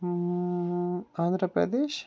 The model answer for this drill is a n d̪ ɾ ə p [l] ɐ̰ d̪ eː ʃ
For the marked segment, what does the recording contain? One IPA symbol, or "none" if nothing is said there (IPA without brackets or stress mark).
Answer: ɾ